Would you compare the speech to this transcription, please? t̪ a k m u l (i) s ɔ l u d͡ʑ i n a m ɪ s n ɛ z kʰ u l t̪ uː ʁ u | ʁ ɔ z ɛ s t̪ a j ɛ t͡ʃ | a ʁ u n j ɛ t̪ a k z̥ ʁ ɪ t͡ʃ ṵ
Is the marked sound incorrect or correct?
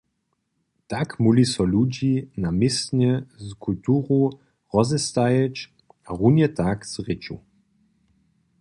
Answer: correct